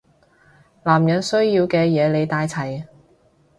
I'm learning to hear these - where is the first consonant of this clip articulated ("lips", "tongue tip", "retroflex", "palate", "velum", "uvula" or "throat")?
tongue tip